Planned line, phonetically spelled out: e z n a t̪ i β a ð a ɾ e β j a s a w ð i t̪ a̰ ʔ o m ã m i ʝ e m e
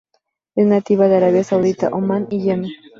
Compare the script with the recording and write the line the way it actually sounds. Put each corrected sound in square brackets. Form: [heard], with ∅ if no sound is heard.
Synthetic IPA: e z n a t̪ i β a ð a ɾ [a] β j a s a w ð i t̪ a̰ ʔ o m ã [n] i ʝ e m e